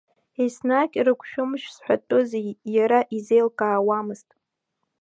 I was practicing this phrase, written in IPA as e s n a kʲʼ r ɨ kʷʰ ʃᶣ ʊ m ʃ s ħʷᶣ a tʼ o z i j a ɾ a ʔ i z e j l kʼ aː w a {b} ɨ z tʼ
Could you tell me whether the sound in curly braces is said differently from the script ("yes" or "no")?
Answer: yes